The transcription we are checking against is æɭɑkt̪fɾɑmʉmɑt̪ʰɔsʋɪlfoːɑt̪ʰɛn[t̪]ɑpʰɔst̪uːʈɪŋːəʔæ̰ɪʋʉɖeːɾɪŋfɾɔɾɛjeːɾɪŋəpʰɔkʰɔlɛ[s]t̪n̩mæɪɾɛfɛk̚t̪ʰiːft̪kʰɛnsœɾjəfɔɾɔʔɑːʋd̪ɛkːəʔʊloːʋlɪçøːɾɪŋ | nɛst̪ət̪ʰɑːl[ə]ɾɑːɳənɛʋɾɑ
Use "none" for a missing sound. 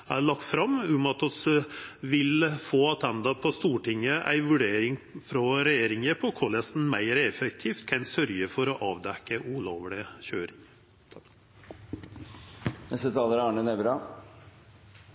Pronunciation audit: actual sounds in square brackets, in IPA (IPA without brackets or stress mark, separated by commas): d̪, s, ə